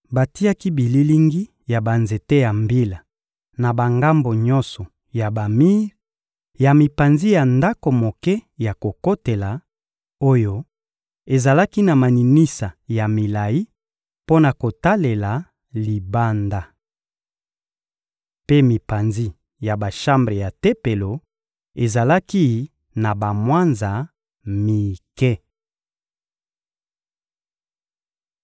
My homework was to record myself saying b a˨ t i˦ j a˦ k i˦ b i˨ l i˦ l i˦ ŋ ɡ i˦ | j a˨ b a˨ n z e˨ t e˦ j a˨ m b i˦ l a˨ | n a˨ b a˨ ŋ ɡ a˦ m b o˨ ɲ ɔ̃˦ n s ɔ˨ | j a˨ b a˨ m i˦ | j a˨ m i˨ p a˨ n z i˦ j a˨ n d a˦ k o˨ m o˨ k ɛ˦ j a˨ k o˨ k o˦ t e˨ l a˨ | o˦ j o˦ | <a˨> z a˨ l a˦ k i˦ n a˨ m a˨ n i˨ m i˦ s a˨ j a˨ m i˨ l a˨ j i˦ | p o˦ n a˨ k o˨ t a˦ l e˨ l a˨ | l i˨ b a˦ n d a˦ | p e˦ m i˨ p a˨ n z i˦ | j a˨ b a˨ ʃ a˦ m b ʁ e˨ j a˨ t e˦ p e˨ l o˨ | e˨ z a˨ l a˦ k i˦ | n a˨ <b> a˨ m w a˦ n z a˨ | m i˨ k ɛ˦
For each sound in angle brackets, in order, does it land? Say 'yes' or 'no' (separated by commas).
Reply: no, yes